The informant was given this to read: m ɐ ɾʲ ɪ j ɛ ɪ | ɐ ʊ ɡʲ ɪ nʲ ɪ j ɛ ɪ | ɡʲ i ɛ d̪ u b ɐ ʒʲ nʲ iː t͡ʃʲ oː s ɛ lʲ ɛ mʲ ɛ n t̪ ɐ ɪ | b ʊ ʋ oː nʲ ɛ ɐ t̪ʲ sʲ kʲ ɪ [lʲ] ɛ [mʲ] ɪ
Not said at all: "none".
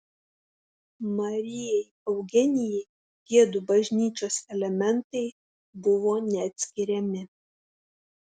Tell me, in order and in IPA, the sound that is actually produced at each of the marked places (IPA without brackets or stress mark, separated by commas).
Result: ɾʲ, mʲ